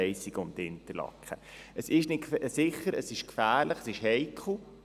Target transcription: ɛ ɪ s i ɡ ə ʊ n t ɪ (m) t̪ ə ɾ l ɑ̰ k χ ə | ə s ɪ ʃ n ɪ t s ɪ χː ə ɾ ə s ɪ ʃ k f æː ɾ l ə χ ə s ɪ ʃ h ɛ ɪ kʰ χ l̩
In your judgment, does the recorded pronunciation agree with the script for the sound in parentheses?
no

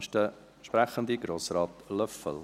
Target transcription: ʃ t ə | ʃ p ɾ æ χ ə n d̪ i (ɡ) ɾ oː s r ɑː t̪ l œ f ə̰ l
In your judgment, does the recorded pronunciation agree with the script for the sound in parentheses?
yes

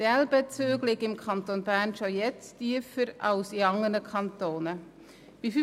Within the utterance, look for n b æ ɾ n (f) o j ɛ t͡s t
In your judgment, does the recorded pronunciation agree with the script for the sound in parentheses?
no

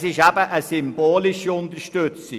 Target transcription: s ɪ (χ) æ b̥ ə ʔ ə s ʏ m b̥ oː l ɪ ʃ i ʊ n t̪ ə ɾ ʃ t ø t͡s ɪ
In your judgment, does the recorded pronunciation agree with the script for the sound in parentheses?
no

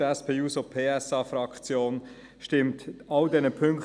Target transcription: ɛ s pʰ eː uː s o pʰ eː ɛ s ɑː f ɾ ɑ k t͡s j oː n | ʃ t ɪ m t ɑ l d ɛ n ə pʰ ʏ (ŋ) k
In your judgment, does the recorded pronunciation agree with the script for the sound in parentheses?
yes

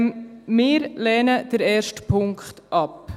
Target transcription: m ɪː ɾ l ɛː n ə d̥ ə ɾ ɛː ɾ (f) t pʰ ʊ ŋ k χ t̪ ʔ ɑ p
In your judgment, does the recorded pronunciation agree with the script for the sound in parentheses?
no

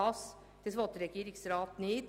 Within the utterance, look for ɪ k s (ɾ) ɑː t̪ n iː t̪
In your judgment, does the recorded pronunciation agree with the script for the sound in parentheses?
yes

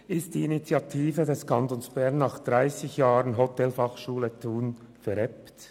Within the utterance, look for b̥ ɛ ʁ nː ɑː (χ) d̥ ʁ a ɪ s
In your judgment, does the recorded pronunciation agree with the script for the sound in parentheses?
yes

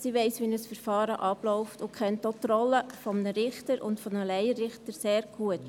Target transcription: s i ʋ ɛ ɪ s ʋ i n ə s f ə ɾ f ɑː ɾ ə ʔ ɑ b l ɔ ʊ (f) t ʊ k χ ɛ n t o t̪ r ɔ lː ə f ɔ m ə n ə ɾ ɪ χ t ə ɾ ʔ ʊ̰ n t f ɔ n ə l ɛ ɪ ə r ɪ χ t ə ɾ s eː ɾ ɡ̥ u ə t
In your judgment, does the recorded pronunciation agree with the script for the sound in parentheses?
yes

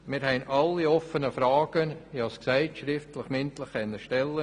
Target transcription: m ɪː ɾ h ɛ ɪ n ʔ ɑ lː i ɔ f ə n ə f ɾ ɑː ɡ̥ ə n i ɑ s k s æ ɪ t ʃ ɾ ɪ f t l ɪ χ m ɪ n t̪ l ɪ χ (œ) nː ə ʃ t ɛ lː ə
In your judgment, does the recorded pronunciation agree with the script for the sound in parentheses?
no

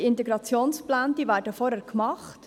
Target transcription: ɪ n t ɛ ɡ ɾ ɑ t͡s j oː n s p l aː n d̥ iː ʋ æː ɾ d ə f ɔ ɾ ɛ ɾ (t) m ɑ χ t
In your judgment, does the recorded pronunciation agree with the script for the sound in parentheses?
no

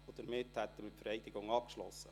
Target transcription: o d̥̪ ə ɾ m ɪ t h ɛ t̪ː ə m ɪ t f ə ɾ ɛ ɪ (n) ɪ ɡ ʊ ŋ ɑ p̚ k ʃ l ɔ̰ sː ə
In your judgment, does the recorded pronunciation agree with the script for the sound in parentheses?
no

